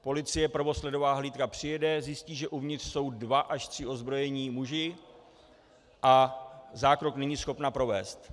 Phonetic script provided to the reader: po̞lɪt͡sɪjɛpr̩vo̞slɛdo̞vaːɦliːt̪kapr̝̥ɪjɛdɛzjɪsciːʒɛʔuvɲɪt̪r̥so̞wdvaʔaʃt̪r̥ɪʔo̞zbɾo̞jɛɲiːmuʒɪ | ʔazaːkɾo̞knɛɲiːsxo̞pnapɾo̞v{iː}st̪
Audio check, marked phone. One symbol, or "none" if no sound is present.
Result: ɛː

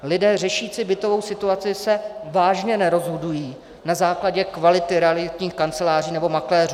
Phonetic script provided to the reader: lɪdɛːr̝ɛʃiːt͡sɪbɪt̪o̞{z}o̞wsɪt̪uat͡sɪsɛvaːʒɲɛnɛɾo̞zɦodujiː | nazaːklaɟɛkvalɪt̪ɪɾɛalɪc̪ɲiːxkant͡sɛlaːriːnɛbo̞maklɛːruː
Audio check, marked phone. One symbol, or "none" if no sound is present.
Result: v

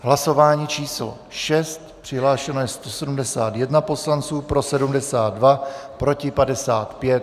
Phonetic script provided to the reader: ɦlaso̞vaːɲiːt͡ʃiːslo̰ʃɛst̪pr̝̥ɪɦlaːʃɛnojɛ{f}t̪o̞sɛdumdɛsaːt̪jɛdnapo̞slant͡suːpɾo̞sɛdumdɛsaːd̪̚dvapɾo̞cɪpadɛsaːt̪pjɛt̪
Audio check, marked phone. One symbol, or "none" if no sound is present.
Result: s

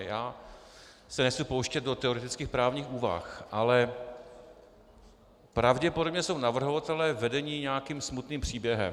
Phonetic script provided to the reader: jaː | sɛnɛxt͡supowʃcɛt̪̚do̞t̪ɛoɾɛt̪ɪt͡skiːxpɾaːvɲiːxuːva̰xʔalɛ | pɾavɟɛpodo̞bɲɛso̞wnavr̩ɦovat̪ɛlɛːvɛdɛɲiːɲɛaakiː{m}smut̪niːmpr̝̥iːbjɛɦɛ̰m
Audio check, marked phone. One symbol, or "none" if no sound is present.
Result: m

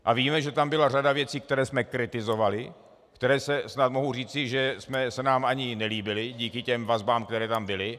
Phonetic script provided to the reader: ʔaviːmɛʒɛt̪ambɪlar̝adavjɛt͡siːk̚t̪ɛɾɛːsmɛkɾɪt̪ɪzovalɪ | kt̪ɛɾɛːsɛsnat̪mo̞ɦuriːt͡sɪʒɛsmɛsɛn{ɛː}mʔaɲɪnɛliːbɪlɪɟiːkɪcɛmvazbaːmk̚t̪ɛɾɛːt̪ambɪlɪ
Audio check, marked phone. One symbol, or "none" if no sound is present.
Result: aː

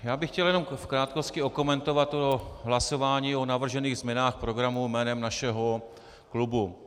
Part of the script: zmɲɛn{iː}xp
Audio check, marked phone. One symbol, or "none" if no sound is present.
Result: aː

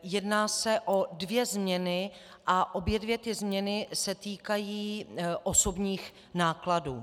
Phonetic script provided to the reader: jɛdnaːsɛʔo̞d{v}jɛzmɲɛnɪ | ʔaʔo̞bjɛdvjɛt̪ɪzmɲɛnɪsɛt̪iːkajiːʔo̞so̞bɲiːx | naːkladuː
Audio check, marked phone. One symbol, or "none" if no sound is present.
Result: v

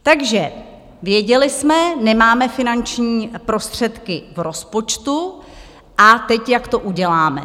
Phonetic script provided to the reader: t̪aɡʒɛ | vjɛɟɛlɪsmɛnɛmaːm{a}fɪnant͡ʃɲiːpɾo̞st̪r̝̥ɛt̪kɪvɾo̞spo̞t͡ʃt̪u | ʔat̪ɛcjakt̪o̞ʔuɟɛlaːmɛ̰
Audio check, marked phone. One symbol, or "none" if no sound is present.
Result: ɛ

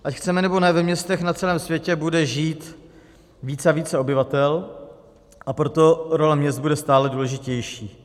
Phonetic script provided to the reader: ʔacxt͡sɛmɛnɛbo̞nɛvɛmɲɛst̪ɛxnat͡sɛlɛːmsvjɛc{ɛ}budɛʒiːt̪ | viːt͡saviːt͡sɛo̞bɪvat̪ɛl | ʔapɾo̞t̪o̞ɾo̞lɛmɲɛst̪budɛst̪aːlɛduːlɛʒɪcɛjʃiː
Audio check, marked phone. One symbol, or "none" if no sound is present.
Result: ɛ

